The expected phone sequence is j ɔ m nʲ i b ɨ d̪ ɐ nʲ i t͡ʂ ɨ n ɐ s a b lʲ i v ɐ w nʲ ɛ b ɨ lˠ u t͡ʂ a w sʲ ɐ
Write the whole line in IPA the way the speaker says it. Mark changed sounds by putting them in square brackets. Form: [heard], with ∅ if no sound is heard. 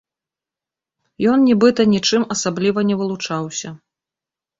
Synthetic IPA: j ɔ [n] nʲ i b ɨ [t̪] ɐ nʲ i t͡ʂ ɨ [m] ɐ s a b lʲ i v ɐ [∅] nʲ ɛ [v] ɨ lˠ u t͡ʂ a w sʲ ɐ